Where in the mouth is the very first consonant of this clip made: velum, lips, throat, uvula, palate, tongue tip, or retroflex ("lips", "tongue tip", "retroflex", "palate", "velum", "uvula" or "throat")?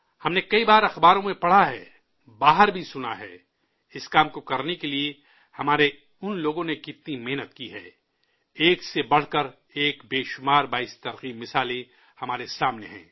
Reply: throat